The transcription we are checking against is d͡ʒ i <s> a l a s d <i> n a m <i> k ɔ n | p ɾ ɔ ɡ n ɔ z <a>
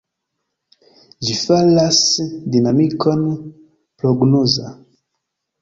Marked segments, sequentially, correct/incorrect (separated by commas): incorrect, correct, correct, correct